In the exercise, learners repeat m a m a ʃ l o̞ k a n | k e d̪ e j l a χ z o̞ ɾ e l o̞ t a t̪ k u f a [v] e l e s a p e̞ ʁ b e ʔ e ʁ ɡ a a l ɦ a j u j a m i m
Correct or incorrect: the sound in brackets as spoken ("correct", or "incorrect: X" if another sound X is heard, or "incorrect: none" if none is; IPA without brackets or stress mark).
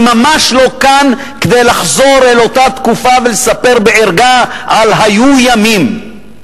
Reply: correct